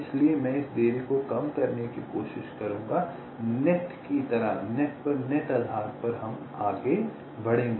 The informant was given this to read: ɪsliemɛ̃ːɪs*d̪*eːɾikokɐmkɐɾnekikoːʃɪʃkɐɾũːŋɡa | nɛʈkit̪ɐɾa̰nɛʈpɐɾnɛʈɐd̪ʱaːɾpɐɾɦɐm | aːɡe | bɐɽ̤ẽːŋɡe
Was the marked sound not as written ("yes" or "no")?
no